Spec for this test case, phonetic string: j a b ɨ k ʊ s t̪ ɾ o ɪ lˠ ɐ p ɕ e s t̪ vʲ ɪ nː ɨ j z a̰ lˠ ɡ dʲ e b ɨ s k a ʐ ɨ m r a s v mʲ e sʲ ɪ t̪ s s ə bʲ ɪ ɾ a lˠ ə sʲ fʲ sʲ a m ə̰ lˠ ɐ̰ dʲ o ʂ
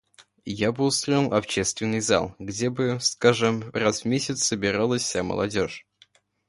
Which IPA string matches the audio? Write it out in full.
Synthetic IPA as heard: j a b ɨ ʊ s t̪ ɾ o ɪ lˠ ɐ p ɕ e s t̪ vʲ ɪ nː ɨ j z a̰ lˠ ɡ dʲ e b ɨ s k a ʐ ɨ m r a s v mʲ e sʲ ɪ t̪ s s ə bʲ ɪ ɾ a lˠ ə sʲ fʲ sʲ a m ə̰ lˠ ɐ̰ dʲ o ʂ